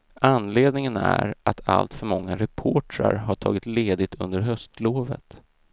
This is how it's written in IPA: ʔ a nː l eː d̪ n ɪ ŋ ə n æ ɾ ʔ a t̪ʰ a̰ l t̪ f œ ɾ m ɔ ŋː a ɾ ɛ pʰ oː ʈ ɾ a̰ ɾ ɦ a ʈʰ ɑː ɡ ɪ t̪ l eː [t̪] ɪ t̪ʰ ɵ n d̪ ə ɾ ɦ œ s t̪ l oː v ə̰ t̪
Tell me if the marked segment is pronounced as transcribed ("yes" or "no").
no